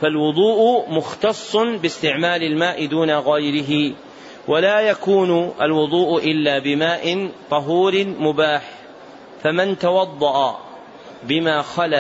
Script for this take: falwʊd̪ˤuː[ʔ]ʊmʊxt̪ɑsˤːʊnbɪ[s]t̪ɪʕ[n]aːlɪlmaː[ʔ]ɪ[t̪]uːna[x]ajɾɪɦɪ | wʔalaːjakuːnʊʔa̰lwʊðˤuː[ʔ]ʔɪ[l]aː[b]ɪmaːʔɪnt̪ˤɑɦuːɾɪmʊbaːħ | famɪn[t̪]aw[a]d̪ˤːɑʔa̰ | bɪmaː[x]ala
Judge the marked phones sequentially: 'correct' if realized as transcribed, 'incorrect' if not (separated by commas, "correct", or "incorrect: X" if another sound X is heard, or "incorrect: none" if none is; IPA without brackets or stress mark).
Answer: correct, correct, incorrect: m, correct, incorrect: d̪, incorrect: ɣ, correct, incorrect: lː, correct, correct, incorrect: ɑ, correct